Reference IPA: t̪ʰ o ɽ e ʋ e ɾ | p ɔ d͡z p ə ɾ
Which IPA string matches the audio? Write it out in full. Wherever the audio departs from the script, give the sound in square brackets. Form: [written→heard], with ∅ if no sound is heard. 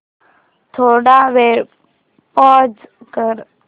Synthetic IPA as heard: t̪ʰ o ɽ [e→a] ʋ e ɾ | p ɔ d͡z [p→k] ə ɾ